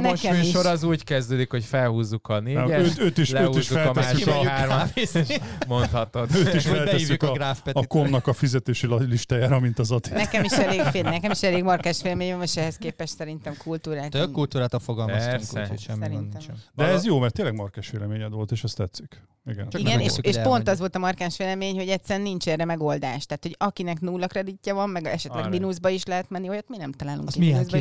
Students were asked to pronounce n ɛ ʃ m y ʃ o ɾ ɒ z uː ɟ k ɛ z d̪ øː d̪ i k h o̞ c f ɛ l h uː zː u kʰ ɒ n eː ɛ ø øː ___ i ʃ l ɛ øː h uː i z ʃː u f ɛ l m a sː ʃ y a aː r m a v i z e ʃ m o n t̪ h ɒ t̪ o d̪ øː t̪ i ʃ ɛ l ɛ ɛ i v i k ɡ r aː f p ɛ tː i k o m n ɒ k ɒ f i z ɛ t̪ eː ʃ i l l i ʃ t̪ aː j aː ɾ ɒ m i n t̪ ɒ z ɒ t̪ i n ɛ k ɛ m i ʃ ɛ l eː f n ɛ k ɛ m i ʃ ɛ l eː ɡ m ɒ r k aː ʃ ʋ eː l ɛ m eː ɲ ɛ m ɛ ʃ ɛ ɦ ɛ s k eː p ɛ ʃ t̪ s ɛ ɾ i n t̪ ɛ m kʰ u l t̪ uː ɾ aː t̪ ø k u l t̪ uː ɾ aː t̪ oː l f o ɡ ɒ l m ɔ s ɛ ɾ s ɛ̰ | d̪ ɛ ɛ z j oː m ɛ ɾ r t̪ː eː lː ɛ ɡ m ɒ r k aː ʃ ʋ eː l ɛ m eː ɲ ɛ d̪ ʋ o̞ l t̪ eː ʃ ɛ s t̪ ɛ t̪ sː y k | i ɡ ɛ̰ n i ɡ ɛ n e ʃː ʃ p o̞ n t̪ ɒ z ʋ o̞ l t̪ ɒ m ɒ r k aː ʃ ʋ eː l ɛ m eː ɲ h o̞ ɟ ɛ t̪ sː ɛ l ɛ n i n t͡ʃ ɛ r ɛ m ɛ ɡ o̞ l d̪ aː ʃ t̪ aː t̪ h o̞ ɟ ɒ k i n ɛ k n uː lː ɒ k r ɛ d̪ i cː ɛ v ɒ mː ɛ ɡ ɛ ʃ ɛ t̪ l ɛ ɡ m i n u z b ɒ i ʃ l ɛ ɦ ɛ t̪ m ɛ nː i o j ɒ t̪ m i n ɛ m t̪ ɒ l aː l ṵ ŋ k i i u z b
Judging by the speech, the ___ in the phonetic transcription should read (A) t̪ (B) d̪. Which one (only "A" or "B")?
A